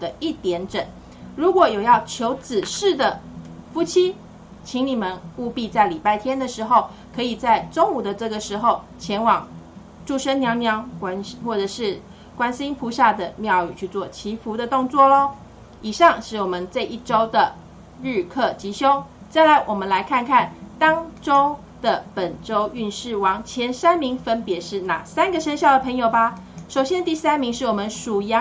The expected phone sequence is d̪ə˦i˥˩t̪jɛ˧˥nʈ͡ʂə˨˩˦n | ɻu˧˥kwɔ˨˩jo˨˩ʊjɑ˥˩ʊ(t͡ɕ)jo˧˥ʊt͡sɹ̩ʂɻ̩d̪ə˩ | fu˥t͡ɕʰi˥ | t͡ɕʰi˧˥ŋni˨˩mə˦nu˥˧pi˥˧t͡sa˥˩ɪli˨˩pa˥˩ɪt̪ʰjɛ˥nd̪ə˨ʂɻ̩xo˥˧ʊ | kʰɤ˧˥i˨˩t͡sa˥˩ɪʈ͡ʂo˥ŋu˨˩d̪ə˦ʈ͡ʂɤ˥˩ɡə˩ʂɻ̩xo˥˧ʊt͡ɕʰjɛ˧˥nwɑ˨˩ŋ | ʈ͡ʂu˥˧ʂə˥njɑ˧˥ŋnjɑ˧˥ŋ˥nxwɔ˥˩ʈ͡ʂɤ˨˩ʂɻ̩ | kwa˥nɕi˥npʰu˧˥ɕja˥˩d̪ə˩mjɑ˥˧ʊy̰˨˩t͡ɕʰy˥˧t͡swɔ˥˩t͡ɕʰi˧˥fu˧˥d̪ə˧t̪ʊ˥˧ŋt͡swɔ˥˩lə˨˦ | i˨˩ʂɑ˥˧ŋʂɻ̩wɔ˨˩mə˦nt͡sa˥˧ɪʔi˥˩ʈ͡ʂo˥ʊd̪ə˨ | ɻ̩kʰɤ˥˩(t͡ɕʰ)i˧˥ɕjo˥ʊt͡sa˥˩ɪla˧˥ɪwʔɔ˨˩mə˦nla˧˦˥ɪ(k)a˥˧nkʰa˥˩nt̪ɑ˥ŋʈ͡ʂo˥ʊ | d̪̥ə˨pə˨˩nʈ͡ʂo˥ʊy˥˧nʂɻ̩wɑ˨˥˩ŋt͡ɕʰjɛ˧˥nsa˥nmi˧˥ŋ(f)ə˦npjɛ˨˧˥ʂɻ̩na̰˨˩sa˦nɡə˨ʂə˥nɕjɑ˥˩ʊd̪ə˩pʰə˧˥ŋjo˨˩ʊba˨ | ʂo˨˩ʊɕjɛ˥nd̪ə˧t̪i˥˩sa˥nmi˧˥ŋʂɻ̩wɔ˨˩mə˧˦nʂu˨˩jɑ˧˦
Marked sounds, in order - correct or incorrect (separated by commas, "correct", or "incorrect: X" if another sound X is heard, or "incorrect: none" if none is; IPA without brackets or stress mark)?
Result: incorrect: t͡ɕʰ, incorrect: t͡ɕ, incorrect: kʰ, correct